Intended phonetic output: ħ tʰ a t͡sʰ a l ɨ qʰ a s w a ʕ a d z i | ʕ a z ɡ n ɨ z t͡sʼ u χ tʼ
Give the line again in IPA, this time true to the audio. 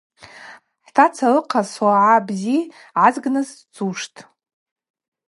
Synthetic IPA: ħ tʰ a t͡sʰ a l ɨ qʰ a s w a ʕ a b z i | ʕ a z ɡ n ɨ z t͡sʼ u ʂ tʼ

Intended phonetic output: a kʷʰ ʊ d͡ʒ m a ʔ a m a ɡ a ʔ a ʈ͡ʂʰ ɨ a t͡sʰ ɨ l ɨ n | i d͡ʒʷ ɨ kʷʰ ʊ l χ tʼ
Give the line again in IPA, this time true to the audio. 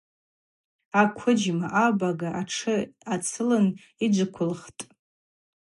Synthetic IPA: a kʷʰ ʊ d͡ʒ m a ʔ a b a ɡ a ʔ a ʈ͡ʂʰ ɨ a t͡sʰ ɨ l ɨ n | i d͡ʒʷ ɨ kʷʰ ʊ l χ tʼ

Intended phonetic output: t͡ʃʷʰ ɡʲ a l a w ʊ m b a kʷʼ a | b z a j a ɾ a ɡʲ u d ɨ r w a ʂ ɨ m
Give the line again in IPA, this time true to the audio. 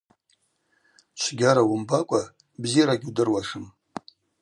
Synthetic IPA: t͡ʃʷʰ ɡʲ a ɾ a w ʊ m b a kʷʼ a | b z i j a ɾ a ɡʲ u d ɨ r w a ʂ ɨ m

